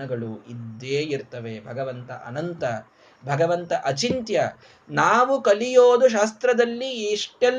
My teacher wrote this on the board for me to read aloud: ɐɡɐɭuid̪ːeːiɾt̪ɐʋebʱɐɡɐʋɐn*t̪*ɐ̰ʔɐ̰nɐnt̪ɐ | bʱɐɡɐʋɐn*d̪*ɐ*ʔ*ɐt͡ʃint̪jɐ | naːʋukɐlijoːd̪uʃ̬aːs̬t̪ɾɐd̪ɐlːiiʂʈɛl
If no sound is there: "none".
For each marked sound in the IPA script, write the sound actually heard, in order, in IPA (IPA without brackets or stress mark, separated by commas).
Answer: t̪, t̪, ʔ